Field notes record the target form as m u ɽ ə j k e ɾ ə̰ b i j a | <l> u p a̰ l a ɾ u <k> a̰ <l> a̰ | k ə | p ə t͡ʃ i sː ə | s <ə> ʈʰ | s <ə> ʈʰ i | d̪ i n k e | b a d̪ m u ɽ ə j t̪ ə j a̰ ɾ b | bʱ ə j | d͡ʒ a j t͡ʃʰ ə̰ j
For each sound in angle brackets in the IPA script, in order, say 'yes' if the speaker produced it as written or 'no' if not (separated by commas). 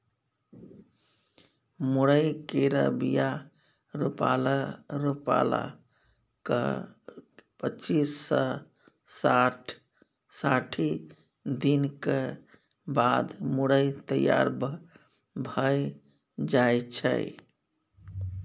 no, no, yes, no, no